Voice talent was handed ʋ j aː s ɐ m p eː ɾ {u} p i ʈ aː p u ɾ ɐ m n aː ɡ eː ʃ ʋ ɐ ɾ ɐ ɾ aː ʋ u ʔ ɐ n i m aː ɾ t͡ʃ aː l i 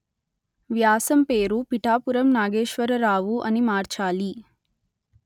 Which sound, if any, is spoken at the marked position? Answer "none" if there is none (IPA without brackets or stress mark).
u